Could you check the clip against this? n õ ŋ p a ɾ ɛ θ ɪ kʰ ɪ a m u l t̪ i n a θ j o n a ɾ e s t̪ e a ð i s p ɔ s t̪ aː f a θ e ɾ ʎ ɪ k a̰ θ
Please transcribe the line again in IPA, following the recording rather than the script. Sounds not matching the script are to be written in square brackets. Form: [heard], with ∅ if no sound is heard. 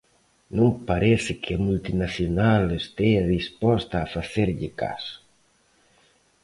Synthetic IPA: n õ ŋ p a ɾ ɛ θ ɪ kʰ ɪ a m u l t̪ i n a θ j o n a [l] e s t̪ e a ð i s p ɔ s t̪ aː f a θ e ɾ ʎ ɪ k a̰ [s]